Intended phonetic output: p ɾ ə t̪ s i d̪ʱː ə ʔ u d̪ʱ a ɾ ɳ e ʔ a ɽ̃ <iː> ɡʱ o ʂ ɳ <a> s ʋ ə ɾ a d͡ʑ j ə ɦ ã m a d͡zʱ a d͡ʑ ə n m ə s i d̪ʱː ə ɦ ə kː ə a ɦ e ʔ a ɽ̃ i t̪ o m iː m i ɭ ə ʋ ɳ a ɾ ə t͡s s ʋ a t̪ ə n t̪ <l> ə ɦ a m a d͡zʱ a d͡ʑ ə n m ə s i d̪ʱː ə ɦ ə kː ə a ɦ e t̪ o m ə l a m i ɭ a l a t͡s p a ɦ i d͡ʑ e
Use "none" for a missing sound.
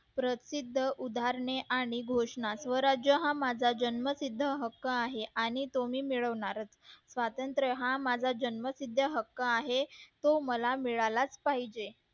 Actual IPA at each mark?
i, a, ɾ

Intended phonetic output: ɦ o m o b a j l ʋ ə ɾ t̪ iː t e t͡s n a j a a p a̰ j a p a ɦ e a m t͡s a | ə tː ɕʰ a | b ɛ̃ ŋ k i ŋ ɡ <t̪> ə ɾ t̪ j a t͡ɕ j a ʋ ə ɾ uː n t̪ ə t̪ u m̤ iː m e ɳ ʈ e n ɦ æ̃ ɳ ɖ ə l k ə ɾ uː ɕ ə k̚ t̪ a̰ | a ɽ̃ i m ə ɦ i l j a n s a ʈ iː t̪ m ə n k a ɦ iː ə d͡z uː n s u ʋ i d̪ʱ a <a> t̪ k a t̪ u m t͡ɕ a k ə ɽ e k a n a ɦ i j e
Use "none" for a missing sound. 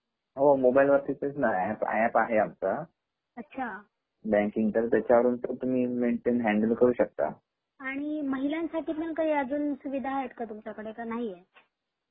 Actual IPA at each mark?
t̪, e

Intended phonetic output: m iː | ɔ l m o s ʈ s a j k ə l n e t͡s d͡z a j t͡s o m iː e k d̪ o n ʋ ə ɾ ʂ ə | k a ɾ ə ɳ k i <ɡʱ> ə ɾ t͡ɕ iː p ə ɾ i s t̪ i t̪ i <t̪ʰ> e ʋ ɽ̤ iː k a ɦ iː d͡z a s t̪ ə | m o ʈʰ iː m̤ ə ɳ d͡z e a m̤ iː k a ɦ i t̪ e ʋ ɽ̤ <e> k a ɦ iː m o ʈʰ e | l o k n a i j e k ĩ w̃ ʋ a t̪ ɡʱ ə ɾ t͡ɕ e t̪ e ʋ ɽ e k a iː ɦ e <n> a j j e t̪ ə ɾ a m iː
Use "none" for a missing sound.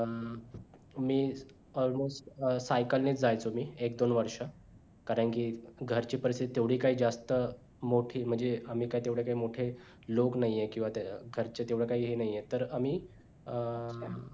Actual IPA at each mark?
ɡʱ, t̪, e, n

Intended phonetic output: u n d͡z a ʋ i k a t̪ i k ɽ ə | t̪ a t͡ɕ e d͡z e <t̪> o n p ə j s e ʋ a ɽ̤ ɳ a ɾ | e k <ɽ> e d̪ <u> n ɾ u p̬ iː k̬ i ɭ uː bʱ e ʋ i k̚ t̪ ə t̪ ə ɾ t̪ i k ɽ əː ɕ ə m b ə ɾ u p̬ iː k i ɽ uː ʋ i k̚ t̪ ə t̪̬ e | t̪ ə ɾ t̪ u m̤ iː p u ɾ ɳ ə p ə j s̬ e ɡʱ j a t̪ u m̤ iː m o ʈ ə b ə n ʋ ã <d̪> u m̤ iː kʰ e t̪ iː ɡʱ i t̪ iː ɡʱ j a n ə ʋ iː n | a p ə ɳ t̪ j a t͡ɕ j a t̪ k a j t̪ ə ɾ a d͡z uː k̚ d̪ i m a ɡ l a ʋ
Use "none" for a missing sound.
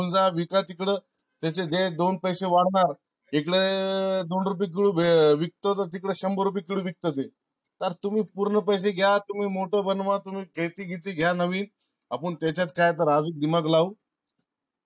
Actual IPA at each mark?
d̪, ɽ, o, t̪

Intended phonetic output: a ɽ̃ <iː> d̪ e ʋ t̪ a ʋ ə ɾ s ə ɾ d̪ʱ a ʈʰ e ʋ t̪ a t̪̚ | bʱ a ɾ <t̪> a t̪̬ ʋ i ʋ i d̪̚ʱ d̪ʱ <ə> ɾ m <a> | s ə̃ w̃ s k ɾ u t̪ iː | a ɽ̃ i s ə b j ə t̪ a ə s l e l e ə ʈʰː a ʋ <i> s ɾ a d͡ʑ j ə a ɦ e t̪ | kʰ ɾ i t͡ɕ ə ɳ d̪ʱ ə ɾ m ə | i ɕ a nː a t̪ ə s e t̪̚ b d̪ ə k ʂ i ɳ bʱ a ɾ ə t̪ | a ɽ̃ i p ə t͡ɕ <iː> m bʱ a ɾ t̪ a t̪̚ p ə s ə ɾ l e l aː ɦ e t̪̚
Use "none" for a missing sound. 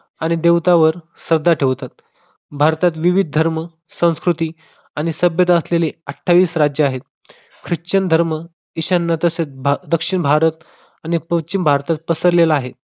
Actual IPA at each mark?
i, t̪, ə, ə, iː, i

